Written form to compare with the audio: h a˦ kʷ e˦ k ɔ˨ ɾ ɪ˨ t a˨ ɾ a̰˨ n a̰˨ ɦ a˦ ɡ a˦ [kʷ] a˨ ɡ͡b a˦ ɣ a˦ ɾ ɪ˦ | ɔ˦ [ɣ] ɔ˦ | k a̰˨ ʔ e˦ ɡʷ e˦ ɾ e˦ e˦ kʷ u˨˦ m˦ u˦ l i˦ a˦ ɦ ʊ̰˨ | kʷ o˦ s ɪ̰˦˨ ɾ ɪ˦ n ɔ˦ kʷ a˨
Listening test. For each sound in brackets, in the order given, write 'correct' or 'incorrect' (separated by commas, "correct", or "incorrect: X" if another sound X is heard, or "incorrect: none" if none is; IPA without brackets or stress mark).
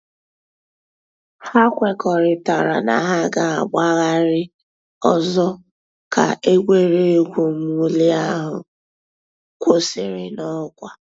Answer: incorrect: none, incorrect: z